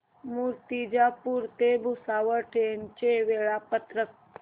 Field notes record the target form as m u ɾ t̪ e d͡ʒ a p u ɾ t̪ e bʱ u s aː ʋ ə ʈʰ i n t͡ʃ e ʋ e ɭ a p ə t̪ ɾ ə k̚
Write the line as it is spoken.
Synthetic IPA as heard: m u ɾ t̪ i d͡ʒ a p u ɾ t̪ e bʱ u s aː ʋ ə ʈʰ e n t͡ʃ e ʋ e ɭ a p ə t̪ ɾ ə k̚